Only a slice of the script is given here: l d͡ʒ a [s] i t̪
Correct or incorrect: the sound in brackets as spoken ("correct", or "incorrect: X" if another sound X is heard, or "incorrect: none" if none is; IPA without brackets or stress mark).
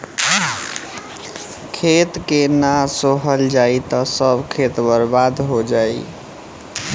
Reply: incorrect: none